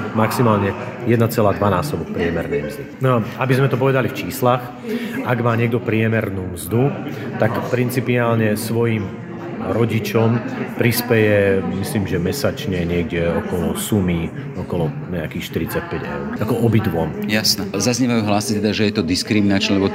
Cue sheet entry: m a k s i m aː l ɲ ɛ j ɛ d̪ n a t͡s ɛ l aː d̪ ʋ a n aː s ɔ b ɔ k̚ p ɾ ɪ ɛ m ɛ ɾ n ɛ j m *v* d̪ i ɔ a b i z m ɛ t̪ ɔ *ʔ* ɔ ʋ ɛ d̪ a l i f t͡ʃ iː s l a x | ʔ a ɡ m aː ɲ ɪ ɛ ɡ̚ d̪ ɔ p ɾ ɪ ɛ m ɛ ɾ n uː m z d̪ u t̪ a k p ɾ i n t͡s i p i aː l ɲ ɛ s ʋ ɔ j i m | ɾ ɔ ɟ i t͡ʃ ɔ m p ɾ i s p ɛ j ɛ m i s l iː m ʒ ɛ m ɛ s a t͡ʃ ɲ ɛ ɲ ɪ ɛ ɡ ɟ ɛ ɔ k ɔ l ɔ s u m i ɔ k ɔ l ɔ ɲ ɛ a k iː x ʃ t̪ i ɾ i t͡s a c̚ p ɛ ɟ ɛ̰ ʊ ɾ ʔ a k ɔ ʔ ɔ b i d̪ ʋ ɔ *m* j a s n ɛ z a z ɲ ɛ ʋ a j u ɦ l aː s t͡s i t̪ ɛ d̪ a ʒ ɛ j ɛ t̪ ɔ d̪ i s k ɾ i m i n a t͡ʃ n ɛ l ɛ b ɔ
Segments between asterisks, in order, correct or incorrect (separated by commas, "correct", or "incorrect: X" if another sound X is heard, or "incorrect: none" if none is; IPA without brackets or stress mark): incorrect: z, incorrect: p, correct